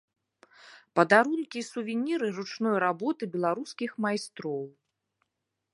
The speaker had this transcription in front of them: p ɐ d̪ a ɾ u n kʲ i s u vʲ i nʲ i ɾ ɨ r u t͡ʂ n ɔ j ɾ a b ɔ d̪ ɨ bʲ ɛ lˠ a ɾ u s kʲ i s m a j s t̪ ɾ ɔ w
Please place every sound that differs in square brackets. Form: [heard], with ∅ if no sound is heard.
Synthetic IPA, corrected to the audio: p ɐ d̪ a ɾ u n kʲ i s u vʲ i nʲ i ɾ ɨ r u t͡ʂ n ɔ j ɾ a b ɔ [t̪] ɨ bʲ ɛ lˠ a ɾ u s kʲ i [x] m a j s t̪ ɾ ɔ w